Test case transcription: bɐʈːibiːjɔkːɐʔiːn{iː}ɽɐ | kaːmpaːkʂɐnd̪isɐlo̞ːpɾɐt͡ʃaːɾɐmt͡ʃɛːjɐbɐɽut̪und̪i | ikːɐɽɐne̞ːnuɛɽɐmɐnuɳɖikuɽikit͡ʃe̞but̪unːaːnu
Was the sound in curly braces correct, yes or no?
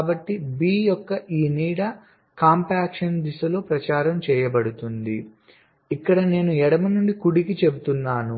yes